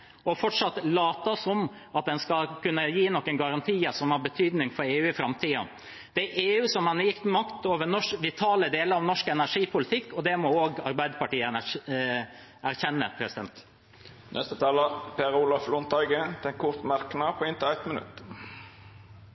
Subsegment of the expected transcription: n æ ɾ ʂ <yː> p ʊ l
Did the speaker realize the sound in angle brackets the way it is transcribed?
no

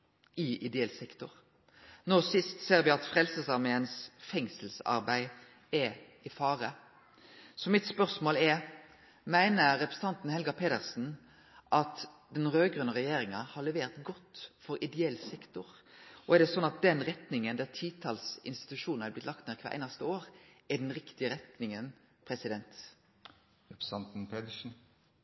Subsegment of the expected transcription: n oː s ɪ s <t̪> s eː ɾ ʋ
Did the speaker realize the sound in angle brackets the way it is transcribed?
yes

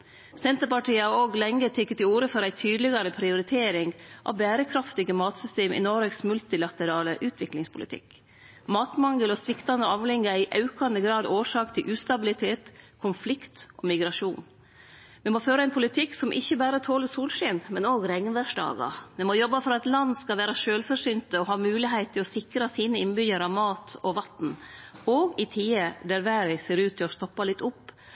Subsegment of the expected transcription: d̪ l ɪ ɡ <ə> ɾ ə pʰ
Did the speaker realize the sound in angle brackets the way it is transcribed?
no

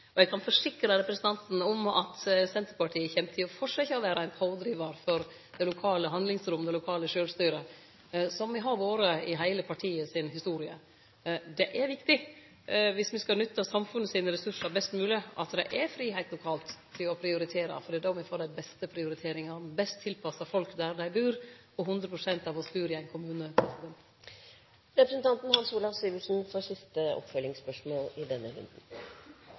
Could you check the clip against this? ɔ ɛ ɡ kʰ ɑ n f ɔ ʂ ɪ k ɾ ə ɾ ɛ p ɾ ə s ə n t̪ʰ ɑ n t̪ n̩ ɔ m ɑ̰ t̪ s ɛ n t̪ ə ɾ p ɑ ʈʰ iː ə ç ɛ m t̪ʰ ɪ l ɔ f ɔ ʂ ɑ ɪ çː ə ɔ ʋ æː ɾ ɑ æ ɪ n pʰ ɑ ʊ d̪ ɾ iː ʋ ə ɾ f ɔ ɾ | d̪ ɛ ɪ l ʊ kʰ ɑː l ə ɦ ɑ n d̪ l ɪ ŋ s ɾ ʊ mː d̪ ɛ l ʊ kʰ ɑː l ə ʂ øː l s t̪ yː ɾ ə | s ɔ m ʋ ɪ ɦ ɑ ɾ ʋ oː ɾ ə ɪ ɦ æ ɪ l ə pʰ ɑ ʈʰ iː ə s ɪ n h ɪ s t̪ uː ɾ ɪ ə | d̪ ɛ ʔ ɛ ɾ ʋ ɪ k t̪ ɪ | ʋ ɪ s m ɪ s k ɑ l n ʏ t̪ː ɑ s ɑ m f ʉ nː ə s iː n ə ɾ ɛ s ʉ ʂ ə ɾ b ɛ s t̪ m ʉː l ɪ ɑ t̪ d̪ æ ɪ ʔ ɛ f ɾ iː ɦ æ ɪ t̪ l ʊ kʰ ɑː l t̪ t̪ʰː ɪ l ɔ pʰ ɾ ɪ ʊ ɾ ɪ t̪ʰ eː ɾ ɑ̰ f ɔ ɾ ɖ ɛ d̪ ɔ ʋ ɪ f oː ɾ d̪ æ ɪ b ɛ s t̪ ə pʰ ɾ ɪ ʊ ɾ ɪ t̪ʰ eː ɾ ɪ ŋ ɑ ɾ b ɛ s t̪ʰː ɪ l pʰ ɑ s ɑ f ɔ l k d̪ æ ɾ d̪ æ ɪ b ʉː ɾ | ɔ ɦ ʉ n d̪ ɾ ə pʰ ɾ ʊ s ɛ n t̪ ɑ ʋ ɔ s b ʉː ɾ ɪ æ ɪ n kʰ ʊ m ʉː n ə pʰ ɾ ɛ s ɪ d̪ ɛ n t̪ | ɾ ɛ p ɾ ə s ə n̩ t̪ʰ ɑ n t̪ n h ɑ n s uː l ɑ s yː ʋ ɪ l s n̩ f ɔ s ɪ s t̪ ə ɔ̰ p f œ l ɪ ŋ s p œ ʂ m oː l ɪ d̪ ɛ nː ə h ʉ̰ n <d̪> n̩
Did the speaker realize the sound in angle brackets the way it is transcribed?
yes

